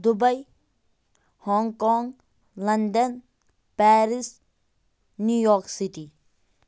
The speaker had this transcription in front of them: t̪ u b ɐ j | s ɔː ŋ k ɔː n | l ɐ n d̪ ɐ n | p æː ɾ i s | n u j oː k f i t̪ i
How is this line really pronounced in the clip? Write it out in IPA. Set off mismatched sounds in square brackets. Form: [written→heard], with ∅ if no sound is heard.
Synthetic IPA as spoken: [t̪→d̪] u b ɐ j | [s→h] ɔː ŋ k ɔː [n→ŋ] | l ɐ n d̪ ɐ n | p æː ɾ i s | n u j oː k [f→s] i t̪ i